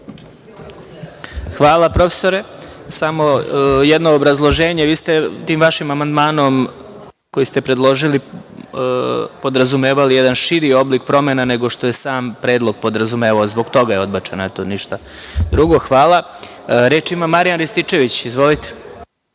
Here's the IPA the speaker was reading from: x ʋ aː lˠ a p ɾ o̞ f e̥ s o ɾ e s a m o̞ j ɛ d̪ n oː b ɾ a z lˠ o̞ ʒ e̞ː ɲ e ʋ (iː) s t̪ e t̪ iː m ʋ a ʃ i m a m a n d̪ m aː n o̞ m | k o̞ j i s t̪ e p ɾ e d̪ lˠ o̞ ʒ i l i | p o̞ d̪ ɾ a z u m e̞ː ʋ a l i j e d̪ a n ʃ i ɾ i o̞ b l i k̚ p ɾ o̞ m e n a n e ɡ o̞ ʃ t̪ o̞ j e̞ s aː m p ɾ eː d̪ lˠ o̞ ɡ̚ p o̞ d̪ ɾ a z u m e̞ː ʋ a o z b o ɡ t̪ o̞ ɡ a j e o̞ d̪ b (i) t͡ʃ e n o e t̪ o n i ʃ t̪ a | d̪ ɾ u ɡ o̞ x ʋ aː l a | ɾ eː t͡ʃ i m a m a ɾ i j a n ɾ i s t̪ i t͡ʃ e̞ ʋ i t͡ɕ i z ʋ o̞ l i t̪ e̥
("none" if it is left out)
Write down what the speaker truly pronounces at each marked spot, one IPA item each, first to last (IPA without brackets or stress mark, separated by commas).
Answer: iː, a